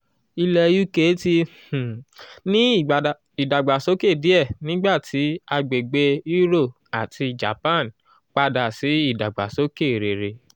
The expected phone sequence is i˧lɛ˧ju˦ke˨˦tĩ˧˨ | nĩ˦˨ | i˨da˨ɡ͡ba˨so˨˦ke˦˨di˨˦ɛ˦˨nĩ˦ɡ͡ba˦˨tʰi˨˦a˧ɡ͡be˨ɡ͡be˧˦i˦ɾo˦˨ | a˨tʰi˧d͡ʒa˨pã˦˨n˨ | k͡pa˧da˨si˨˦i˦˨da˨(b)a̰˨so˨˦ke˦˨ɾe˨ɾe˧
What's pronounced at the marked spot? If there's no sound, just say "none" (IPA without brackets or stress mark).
ɡ͡b